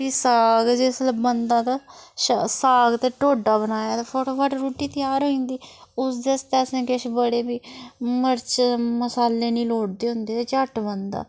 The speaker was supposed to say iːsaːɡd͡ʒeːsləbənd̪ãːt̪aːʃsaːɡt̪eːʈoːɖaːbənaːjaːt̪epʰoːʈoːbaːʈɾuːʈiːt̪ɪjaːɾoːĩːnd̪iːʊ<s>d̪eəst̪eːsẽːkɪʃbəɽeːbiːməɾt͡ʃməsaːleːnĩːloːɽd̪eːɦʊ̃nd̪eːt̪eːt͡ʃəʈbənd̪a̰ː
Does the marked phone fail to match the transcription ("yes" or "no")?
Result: no